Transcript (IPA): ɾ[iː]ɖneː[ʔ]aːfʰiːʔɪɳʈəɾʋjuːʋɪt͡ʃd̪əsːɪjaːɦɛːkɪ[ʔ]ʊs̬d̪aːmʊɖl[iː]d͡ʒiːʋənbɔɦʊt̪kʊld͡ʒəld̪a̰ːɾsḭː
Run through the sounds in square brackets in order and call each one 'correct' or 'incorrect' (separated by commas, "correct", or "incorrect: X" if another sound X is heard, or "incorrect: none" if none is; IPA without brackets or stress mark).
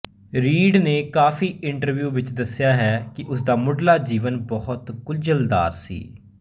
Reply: correct, incorrect: k, correct, incorrect: aː